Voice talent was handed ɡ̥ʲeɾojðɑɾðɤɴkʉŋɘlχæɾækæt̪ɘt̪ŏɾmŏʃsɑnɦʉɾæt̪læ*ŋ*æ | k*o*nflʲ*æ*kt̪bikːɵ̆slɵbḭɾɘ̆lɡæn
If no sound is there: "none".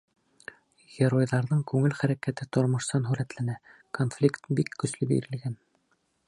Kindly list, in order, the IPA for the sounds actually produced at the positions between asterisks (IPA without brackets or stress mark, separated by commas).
n, o, i